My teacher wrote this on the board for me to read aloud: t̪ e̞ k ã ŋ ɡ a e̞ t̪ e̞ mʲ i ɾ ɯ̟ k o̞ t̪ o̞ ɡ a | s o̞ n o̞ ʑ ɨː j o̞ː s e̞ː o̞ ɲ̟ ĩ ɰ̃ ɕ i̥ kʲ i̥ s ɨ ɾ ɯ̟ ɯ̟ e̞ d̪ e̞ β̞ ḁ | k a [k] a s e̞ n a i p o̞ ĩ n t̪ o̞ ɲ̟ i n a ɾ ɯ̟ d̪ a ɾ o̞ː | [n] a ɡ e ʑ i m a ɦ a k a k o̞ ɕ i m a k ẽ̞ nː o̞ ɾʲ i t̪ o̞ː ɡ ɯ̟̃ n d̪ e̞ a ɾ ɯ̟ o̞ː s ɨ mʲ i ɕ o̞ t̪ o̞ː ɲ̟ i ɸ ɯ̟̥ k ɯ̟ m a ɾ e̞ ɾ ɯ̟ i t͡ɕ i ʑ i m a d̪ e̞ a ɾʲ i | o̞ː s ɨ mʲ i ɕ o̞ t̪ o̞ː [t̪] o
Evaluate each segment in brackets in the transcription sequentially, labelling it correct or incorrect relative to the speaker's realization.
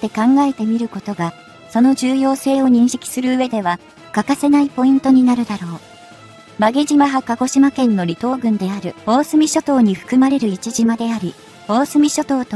correct, incorrect: m, correct

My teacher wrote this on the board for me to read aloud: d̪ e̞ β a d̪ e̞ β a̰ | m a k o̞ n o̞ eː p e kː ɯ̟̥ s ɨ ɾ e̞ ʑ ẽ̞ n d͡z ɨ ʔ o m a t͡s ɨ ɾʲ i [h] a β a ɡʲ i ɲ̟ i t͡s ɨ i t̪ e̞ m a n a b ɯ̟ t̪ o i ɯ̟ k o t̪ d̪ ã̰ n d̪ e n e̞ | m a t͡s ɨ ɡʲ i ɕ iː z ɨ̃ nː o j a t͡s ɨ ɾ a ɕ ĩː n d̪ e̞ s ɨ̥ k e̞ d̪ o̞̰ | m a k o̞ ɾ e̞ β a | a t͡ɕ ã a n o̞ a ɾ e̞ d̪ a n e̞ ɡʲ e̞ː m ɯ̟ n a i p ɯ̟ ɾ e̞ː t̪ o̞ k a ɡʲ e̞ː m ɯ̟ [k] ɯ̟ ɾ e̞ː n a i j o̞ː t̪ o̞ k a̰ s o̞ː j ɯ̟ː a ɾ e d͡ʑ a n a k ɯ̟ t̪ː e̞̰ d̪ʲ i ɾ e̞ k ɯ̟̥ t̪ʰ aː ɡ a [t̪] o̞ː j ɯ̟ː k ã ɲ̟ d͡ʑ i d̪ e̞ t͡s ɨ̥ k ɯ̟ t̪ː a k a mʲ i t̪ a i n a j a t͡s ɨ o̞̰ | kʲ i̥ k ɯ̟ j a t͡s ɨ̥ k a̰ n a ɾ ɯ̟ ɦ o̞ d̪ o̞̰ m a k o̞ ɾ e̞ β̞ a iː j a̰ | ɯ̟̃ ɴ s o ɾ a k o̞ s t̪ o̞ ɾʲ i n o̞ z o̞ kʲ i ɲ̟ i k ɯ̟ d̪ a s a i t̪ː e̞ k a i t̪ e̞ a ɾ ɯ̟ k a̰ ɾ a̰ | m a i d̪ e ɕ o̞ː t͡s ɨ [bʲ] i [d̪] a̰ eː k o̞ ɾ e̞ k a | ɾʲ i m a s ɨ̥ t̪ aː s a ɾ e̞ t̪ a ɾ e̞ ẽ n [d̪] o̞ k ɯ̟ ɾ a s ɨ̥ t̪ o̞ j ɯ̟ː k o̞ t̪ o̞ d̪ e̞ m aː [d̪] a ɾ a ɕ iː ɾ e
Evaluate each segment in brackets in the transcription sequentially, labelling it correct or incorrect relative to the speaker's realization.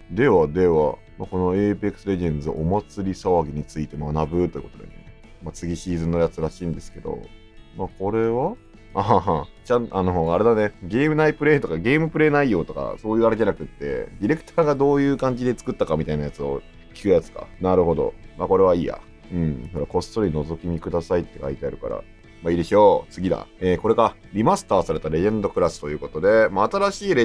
incorrect: s, incorrect: p, incorrect: d̪, incorrect: ɡʲ, correct, correct, incorrect: t̪

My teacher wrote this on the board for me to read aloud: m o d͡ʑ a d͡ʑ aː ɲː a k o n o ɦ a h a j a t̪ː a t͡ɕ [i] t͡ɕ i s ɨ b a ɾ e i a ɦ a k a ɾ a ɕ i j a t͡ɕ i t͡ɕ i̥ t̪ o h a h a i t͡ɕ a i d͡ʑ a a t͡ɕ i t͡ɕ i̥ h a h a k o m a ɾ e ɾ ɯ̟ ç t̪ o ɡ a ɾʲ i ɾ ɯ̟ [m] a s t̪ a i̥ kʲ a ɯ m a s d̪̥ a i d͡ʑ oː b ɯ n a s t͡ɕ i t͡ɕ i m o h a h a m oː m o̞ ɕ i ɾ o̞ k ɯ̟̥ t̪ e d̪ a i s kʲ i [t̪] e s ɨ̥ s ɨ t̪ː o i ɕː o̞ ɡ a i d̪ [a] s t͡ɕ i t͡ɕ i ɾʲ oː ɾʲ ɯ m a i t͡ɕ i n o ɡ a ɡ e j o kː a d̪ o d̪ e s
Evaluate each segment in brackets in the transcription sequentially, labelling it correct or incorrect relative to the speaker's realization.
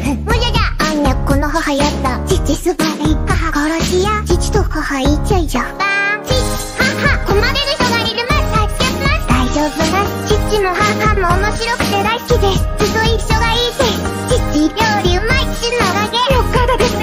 correct, correct, incorrect: d̪, incorrect: e

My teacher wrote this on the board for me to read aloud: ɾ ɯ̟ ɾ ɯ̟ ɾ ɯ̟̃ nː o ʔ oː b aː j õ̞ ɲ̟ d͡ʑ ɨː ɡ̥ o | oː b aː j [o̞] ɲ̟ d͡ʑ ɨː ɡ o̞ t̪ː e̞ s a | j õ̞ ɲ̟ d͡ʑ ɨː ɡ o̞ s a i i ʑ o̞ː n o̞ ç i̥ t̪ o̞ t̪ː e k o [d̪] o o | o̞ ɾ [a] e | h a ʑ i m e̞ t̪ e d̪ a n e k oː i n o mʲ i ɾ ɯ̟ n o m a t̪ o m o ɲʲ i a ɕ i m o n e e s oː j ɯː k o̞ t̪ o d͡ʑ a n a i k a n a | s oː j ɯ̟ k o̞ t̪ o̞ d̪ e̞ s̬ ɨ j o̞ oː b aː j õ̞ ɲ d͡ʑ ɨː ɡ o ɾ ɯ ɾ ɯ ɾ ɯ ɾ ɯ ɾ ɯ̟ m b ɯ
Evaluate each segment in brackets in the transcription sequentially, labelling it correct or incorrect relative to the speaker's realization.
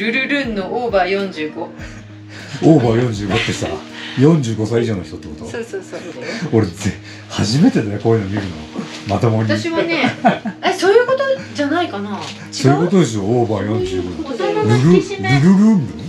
incorrect: õ̞, incorrect: t̪, incorrect: e

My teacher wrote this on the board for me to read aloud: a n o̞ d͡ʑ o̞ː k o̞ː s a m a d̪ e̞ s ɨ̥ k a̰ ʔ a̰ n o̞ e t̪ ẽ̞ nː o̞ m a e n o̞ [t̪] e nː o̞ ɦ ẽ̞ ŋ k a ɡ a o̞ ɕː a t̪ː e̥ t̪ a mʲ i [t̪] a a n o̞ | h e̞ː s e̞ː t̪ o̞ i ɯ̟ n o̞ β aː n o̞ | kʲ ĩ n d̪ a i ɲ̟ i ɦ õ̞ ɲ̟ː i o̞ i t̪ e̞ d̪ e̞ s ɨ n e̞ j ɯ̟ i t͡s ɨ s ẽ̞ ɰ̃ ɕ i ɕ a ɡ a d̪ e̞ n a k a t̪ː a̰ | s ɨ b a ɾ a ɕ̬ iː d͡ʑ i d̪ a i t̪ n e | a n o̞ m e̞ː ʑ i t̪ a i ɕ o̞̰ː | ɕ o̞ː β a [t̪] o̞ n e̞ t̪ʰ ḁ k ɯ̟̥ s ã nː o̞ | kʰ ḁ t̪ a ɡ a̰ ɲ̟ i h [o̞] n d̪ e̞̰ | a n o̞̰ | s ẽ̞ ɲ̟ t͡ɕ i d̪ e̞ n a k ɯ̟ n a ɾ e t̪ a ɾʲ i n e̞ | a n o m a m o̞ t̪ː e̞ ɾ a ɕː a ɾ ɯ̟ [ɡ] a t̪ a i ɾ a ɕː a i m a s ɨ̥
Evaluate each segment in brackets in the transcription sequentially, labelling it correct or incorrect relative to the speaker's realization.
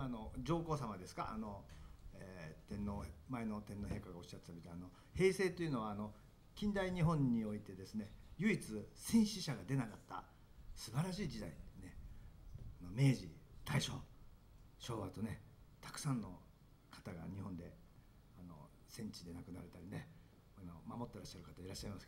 correct, correct, correct, incorrect: õ̞, incorrect: k

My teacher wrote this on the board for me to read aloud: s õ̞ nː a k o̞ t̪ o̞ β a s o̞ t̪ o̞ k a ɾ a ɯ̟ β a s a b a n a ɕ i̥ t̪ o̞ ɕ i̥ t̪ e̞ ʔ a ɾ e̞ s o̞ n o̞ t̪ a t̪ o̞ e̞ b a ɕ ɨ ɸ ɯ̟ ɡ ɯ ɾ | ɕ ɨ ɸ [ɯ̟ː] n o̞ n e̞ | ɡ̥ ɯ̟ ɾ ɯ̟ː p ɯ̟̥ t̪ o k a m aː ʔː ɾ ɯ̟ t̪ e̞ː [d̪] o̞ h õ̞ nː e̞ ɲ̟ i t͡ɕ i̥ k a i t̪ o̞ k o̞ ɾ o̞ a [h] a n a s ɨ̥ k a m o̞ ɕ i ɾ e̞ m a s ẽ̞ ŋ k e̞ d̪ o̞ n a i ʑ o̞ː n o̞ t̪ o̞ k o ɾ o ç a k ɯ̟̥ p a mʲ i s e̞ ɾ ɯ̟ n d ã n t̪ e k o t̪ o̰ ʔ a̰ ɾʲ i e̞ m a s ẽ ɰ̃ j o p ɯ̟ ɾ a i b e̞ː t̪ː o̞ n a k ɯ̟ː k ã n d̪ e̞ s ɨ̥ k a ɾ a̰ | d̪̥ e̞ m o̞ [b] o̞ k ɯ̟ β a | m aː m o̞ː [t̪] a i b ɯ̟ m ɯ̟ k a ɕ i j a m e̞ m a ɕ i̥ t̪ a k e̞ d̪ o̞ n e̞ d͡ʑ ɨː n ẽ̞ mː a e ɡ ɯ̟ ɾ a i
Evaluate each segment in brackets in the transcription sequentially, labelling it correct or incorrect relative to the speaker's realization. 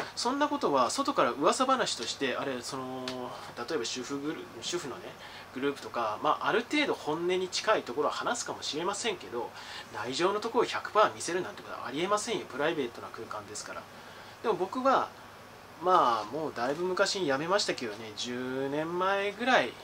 incorrect: ɯ̟, correct, correct, correct, incorrect: d̪

